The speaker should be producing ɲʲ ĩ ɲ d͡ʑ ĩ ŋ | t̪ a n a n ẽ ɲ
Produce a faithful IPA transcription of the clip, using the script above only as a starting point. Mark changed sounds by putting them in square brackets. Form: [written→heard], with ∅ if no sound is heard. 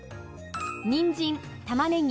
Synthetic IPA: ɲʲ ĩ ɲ d͡ʑ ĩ [ŋ→n] | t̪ a [n→m] a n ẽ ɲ

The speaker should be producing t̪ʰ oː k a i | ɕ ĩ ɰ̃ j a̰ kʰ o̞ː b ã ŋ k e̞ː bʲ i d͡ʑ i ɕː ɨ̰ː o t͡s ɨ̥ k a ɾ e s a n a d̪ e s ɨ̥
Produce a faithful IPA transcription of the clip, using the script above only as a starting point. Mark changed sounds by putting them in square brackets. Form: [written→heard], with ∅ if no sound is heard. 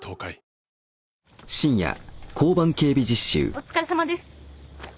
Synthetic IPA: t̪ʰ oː k a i | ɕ ĩ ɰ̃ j a̰ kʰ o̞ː b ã ŋ k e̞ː bʲ i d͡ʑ i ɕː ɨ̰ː o t͡s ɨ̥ k a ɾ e s a [n→m] a d̪ e s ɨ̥

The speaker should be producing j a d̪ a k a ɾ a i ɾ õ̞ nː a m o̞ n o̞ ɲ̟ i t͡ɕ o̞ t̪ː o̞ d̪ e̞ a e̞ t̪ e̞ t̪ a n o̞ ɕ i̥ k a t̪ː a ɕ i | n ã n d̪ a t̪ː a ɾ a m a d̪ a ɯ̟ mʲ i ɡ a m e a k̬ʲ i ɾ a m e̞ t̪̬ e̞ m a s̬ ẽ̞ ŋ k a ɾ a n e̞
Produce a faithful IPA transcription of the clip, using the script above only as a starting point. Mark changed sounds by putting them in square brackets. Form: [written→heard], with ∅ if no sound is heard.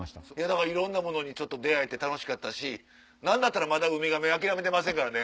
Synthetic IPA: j a d̪ a k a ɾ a i ɾ õ̞ nː a m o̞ n o̞ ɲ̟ i t͡ɕ o̞ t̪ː o̞ d̪ e̞ a e̞ t̪ e̞ t̪ a n o̞ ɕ i̥ k a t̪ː a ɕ i | n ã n d̪ a t̪ː a ɾ a m a d̪ a ɯ̟ mʲ i ɡ a m e a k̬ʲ i ɾ a m e̞ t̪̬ e̞ m a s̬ ẽ̞ ŋ k a ɾ a n e̞

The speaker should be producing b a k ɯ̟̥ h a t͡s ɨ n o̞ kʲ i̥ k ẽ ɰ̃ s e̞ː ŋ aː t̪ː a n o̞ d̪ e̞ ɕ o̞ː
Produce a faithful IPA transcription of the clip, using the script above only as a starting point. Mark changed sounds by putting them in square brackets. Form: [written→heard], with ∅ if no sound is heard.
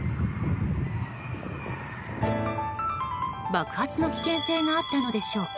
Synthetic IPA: b a k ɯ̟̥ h a t͡s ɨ n o̞ kʲ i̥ k ẽ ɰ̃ s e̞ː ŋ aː t̪ː a n o̞ d̪ e̞ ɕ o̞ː

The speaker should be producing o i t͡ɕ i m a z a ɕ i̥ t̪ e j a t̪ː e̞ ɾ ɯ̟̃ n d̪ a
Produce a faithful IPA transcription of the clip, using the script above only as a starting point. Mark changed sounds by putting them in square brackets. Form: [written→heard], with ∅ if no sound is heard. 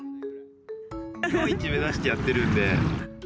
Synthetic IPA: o i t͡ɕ i m [a→e] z a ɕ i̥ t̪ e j a t̪ː e̞ ɾ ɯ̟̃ n d̪ [a→e]

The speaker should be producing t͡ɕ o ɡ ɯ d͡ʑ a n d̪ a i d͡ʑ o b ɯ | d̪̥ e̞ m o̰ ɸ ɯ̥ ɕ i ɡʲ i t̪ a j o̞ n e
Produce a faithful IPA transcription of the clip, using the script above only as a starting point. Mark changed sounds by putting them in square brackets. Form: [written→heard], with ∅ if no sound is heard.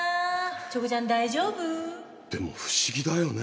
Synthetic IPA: t͡ɕ o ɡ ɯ d͡ʑ a n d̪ a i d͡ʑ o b ɯ | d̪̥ e̞ m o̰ ɸ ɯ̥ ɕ i ɡʲ i [t̪→d̪] a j o̞ n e

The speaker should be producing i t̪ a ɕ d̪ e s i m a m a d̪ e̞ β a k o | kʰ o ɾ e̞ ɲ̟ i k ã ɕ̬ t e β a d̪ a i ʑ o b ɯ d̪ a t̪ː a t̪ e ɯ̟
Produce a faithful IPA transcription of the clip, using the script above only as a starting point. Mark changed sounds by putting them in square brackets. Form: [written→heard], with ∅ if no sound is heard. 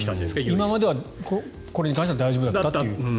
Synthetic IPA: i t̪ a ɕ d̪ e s i m a m a d̪ e̞ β a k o | [kʰ→k] o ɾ e̞ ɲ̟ i k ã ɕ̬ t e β a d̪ a i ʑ o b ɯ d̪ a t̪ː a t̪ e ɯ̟

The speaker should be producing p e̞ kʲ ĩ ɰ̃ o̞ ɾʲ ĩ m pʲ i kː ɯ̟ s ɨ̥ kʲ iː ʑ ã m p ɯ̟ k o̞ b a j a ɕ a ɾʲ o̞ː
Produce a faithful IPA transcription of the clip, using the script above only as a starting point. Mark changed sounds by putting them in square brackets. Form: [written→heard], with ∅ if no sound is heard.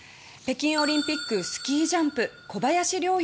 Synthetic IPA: p e̞ kʲ ĩ ɰ̃ o̞ ɾʲ ĩ m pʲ i kː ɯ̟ s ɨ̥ kʲ iː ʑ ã m p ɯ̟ k o̞ b a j a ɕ [a→i] ɾʲ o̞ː

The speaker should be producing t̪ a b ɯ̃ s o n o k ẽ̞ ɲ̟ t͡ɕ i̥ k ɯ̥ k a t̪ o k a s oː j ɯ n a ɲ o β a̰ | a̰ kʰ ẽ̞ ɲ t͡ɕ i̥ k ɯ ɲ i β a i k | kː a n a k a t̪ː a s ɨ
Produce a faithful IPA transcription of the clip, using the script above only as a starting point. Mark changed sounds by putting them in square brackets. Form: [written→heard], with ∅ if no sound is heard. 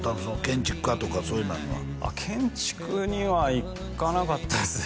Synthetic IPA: t̪ a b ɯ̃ s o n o k ẽ̞ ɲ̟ t͡ɕ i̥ k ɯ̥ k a t̪ o k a s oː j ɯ n a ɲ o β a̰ | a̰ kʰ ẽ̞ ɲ t͡ɕ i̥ k ɯ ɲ i β a i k | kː a n a k a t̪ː a s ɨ

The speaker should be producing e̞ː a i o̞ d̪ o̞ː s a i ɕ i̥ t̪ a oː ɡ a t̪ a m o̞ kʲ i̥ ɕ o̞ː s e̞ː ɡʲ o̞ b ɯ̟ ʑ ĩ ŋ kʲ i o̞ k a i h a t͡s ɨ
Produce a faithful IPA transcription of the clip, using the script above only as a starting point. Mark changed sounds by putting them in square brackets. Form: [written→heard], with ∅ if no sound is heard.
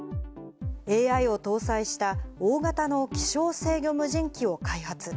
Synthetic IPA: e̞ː a i o̞ [d̪→t̪] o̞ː s a i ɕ i̥ t̪ a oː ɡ a t̪ a [m→n] o̞ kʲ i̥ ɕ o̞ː s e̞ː ɡʲ o̞ [b→m] ɯ̟ ʑ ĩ ŋ kʲ i o̞ k a i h a t͡s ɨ

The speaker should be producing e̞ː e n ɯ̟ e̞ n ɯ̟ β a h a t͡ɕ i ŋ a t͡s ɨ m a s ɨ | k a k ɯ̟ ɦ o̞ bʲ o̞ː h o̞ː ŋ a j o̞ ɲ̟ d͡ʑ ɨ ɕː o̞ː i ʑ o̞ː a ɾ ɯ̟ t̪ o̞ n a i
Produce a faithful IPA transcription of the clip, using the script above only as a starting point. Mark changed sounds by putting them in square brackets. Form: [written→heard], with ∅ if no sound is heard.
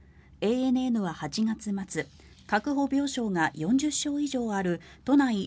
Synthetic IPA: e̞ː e n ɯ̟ e̞ n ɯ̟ β a h a t͡ɕ i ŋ a t͡s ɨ m a [s→t͡s] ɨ | k a k ɯ̟ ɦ o̞ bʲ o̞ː [h→ɕ] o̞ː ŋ a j [o̞→õ̞] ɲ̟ d͡ʑ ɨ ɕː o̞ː i ʑ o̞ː a ɾ ɯ̟ t̪ o̞ n a i

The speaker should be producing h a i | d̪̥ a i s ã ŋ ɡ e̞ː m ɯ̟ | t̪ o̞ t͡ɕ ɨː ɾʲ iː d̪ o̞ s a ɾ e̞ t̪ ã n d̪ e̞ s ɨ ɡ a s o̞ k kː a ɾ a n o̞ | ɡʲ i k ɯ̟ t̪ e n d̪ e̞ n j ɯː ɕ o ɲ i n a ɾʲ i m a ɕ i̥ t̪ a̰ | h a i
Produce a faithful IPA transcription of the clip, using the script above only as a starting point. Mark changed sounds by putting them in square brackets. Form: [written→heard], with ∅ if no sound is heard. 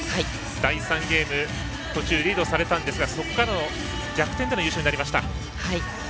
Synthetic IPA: h a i | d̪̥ a i s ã ŋ ɡ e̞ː m ɯ̟ | t̪ o̞ t͡ɕ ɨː ɾʲ iː d̪ o̞ s a ɾ e̞ t̪ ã n d̪ e̞ s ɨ ɡ a s o̞ k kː a ɾ a n o̞ | ɡʲ [i→a] k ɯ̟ t̪ e n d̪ e̞ n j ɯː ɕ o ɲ i n a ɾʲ i m a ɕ i̥ t̪ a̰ | h a i

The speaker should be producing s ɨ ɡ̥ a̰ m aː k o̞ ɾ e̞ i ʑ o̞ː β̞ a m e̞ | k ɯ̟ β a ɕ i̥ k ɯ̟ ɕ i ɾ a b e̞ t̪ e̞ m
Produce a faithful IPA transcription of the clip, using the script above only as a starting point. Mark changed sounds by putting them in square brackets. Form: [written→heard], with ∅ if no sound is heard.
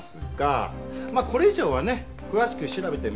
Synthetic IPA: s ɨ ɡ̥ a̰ m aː k o̞ ɾ e̞ i ʑ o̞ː β̞ a [m→n] e̞ | k ɯ̟ β a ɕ i̥ k ɯ̟ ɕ i ɾ a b e̞ t̪ e̞ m

